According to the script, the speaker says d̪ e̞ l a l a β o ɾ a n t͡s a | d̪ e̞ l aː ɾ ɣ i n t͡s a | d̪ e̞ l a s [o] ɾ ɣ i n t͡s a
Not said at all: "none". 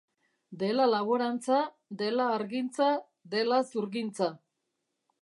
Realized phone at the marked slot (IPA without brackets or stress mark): u